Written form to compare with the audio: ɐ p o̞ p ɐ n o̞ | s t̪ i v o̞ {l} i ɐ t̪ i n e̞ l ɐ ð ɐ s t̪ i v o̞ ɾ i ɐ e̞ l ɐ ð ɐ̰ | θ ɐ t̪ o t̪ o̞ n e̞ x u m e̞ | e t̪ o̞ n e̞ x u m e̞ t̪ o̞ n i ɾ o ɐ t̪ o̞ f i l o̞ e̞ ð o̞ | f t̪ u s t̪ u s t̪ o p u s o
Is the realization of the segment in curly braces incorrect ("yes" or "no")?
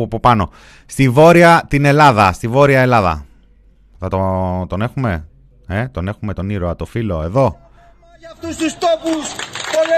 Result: yes